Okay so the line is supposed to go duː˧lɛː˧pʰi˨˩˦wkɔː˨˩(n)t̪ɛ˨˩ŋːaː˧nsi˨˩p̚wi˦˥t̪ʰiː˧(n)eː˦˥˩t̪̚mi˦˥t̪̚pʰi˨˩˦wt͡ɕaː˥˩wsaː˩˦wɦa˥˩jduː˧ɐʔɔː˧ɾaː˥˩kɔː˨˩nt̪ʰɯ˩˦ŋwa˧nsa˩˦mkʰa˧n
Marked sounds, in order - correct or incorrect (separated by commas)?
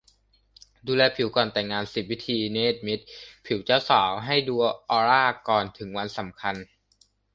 correct, correct